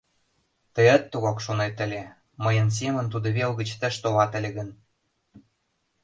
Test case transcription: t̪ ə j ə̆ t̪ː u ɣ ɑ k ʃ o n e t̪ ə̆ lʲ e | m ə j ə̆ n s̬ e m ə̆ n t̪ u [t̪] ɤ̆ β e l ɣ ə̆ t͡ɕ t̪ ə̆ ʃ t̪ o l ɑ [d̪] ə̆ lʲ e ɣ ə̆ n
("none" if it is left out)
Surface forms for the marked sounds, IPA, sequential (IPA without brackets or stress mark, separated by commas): d̪, t̪